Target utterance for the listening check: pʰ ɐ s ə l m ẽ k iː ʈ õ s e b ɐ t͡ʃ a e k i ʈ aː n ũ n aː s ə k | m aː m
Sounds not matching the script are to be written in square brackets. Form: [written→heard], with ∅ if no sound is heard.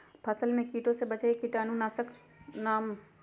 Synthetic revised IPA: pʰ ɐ s ə l m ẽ k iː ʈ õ s e b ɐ t͡ʃ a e k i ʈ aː n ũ n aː s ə k | [m→n] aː m